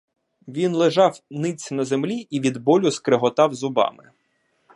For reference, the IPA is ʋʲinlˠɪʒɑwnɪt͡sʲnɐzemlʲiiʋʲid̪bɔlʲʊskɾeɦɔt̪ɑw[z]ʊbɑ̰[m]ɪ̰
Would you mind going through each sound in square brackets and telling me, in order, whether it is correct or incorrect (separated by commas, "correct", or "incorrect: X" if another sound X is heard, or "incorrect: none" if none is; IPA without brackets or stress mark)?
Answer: correct, correct